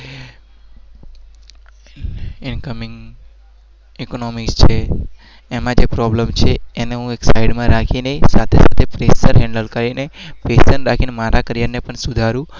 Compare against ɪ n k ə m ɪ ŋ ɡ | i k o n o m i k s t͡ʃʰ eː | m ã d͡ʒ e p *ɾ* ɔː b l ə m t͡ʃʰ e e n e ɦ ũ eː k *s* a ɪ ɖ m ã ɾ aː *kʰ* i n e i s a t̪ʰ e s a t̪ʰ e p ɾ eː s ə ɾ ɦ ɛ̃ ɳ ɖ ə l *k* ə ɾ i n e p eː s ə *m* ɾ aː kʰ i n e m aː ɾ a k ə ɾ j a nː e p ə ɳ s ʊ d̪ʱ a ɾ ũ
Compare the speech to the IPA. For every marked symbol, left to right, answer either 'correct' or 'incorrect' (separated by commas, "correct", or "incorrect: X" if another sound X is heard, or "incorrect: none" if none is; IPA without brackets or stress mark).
correct, correct, correct, correct, incorrect: n